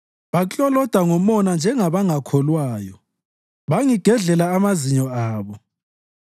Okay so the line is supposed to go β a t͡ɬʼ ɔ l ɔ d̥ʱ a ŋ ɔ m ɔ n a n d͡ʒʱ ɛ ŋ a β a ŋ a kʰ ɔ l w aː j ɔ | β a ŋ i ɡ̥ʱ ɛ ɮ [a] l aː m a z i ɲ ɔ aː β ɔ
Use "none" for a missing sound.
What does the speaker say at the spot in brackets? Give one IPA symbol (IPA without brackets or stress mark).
ɛ